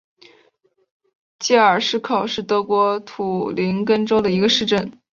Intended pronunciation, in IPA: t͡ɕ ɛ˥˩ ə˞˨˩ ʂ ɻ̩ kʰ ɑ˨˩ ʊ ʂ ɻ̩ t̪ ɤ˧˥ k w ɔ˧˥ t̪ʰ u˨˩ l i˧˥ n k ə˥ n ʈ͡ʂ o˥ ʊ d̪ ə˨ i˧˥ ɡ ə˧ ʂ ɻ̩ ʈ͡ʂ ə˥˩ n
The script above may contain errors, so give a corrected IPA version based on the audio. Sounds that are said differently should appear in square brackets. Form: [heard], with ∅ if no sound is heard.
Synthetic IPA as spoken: t͡ɕ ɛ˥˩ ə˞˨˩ ʂ ɻ̩ kʰ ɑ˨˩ ʊ ʂ ɻ̩ t̪ ɤ˧˥ k w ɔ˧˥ t̪ʰ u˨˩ l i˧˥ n k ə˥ n ʈ͡ʂ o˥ ʊ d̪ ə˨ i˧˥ ɡ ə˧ ʂ ɻ̩ ʈ͡ʂ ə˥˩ n